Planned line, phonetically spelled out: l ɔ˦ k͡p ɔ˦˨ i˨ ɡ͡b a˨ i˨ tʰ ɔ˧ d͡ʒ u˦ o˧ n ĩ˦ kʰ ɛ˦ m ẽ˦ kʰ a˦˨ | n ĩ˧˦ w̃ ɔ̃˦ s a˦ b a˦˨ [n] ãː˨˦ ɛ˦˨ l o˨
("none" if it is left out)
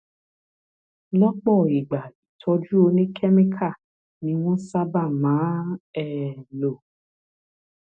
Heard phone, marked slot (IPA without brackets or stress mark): m